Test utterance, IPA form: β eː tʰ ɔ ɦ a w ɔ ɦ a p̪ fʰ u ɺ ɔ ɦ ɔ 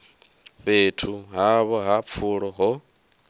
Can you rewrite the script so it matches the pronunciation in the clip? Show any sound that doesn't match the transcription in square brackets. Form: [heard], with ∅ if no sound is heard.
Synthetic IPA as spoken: β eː tʰ [u] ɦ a [β] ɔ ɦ a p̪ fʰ u ɺ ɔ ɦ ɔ